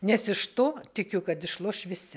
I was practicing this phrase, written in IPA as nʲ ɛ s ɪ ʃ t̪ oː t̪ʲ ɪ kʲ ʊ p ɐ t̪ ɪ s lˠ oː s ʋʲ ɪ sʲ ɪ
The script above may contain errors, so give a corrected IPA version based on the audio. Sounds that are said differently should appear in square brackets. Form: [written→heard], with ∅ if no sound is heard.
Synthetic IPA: nʲ ɛ s ɪ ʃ t̪ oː t̪ʲ ɪ kʲ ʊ [p→k] ɐ t̪ ɪ [s→ʃ] lˠ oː [s→ʃ] ʋʲ ɪ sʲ ɪ